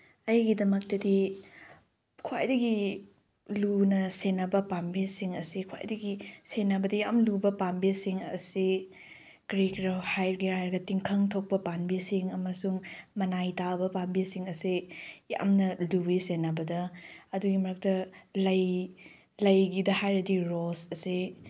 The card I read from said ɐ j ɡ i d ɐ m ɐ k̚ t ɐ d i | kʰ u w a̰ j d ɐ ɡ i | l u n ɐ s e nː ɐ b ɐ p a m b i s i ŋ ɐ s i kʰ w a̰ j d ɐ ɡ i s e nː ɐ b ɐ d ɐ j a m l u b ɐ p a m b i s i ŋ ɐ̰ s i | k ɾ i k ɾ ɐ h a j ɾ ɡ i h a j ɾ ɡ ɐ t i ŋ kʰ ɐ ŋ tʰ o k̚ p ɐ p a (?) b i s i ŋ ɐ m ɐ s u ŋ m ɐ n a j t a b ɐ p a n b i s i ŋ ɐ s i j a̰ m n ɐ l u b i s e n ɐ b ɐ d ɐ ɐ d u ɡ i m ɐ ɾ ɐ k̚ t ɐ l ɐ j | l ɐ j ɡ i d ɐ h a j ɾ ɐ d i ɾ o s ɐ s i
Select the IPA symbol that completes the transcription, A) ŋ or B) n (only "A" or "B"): B